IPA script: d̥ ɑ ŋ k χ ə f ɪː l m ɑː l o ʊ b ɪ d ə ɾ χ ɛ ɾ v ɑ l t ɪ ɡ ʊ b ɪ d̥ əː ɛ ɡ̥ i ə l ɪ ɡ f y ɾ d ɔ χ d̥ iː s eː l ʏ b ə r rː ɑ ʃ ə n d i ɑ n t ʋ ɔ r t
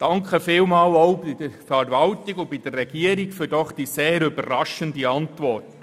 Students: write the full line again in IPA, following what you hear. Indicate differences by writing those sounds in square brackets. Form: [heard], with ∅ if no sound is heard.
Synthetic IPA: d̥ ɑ ŋ k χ ə f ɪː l m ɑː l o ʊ b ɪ d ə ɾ [f] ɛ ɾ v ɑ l t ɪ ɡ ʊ b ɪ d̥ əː ɛ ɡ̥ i ə [ɾ] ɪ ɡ f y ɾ d ɔ χ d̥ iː s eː [ɾ] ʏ b ə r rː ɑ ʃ ə n d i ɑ n t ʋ ɔ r t